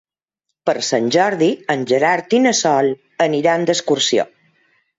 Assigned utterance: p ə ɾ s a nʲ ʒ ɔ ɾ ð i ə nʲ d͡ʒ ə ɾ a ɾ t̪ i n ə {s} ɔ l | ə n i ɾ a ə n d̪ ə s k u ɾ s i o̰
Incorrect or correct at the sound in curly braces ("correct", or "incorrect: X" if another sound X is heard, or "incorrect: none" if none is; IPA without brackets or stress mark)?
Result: correct